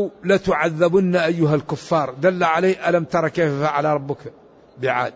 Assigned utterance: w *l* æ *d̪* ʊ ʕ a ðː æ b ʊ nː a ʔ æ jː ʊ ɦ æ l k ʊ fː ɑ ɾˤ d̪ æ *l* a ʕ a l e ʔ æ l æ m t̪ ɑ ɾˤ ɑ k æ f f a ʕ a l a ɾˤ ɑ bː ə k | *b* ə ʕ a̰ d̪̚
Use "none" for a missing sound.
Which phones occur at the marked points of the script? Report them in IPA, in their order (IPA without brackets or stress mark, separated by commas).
l, t̪, lː, b